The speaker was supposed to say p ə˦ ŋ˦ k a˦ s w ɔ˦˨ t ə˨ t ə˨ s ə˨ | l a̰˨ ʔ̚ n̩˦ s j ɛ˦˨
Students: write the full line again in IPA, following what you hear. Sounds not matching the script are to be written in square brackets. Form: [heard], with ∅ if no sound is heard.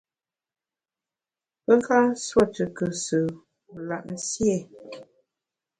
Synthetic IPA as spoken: p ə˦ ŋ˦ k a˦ s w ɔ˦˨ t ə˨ [k] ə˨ s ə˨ | l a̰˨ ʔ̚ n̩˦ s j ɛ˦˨